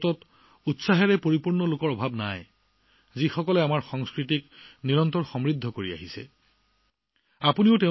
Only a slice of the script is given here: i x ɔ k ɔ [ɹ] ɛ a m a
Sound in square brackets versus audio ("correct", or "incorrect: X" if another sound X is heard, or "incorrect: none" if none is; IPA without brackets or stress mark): incorrect: l